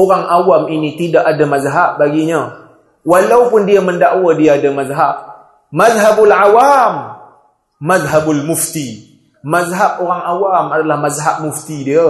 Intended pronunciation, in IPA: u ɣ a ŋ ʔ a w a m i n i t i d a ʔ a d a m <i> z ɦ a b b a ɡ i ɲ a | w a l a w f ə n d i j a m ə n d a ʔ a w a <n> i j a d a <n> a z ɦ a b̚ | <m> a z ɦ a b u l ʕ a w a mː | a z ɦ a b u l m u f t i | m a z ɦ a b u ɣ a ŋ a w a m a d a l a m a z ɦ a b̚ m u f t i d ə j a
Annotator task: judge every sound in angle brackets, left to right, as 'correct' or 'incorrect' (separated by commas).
incorrect, incorrect, incorrect, correct